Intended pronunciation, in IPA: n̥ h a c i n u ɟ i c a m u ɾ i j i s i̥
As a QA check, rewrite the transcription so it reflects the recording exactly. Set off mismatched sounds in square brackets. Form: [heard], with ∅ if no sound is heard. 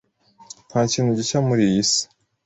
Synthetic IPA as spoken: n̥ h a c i n u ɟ i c a m u ɾ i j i s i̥

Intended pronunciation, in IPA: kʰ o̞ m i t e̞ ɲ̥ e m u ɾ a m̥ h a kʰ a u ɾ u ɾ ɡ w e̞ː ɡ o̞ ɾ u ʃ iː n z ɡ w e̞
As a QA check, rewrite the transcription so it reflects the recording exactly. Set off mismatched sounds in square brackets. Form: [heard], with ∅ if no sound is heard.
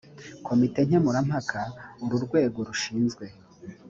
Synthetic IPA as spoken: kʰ o̞ m i t e̞ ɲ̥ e m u ɾ a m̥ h a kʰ a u ɾ u ɾ ɡ w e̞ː ɡ o̞ ɾ u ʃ iː n z ɡ w e̞

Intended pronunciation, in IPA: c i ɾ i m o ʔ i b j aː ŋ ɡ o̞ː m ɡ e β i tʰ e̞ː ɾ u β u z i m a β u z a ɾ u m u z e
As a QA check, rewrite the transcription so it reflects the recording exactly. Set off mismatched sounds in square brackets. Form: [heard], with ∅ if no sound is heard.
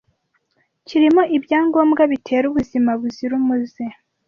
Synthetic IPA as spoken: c i ɾ i m o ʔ i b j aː ŋ ɡ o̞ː m ɡ [a] β i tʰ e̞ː ɾ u β u z i m a β u z [i] ɾ u m u z e

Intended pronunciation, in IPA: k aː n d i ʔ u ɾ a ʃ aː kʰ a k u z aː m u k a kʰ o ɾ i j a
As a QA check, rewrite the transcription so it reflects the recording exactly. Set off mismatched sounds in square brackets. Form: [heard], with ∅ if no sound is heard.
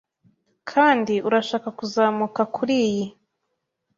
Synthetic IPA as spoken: [kʰ] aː n d i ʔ u ɾ a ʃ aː [k] a k u z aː m u k a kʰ [u] ɾ i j [i]

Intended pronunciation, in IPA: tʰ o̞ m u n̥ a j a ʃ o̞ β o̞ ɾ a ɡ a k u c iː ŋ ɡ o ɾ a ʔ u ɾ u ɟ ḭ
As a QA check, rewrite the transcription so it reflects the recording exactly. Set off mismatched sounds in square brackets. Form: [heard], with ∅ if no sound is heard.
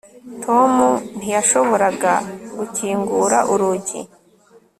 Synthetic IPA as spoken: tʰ o̞ m u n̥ [i] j a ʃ o̞ β o̞ ɾ a ɡ a [ɡ] u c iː ŋ ɡ [u] ɾ a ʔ u ɾ u ɟ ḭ

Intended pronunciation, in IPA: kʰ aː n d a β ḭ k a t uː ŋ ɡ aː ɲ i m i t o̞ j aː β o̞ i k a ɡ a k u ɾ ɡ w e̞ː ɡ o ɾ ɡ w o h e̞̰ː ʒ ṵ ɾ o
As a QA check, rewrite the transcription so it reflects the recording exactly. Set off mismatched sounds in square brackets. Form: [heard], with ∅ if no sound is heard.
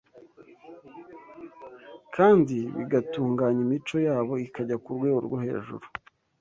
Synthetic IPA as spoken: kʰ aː n d [i] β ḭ [ɡ] a t uː ŋ ɡ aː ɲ i m i [t͡ʃ] o̞ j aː β o̞ i k a [ɟ] a k u ɾ ɡ w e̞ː ɡ o ɾ ɡ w o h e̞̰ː ʒ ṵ ɾ [u]

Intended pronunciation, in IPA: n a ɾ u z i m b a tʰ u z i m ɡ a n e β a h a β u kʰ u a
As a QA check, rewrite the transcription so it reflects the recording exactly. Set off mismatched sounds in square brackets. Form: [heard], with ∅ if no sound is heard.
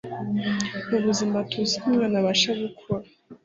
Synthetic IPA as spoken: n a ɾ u z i m b a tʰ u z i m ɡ a n [a] β a [ʃ] a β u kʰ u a

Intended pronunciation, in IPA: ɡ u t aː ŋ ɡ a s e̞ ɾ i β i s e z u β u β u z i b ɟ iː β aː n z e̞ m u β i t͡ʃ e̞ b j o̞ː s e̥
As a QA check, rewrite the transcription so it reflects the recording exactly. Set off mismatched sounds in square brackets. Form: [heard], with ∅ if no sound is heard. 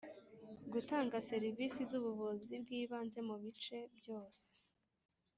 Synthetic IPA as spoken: ɡ u t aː ŋ ɡ a s e̞ ɾ i [v] i s [i] z u β u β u z i b [ɡ] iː β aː n z e̞ m u β i t͡ʃ e̞ b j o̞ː s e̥

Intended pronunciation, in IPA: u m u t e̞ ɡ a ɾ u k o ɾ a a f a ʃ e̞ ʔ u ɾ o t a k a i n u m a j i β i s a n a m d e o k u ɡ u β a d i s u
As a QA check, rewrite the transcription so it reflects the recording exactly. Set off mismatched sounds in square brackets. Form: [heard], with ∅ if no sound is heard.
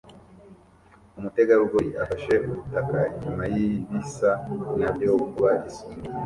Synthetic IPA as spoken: u m u t e̞ ɡ a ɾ u [ɡ] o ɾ [i] a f a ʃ e̞ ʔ u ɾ [u] t a k a i [ɲ] u m a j i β i s a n a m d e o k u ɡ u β a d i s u

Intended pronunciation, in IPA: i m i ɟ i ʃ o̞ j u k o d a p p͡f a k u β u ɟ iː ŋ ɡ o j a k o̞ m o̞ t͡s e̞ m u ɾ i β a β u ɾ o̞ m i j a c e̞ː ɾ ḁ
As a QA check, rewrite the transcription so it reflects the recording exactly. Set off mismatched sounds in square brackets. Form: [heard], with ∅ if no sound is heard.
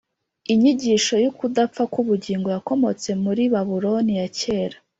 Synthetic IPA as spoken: i [ɲ] i ɟ i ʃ o̞ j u k [u] d a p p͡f a k u β u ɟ iː ŋ ɡ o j a k o̞ m o̞ t͡s e̞ m u ɾ i β a β u ɾ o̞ [n] i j a c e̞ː ɾ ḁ

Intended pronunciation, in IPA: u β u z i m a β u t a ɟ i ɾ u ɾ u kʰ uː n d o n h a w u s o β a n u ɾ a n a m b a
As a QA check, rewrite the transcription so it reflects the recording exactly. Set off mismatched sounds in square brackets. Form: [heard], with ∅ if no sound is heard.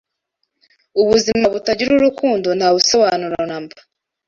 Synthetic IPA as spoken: u β u z i m a β u t a ɟ i ɾ u ɾ u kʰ uː n d o n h a [β] u s o β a n u ɾ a n a m b a

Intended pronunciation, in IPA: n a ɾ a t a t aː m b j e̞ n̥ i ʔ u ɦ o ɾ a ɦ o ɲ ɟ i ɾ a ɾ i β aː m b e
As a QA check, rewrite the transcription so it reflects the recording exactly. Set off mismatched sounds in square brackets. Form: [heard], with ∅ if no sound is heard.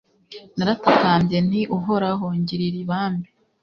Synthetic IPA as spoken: n a ɾ a t a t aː m b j e̞ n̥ i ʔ u ɦ o ɾ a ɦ o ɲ ɟ i ɾ [i] ɾ i β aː m b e

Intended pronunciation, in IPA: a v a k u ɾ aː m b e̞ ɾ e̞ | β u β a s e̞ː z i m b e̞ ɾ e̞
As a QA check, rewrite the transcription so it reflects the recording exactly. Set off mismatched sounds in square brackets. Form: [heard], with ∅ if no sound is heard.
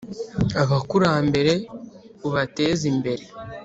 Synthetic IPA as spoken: a [β] a k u ɾ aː m b e̞ ɾ e̞ | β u β a [t] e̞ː z i m b e̞ ɾ e̞

